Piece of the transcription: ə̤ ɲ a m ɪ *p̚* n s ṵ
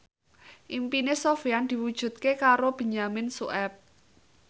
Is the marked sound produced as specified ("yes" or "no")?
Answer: no